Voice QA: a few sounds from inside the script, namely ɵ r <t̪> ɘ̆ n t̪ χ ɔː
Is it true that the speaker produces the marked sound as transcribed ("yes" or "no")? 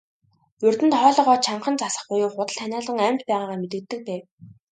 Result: yes